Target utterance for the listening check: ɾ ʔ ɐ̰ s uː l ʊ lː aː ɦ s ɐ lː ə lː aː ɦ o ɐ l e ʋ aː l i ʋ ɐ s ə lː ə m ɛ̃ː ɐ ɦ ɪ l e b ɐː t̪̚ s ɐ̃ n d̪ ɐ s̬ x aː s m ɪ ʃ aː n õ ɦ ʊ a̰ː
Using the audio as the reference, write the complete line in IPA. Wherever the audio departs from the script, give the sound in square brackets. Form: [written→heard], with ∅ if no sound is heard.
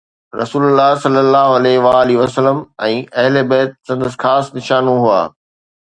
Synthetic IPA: ɾ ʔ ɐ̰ s uː l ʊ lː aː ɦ s ɐ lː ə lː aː ɦ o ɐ l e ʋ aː l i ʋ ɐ s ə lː ə m ɛ̃ː ɐ ɦ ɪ l e b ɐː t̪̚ s ɐ̃ n d̪ [ɐ→ə] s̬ x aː s [m→n] ɪ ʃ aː n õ ɦ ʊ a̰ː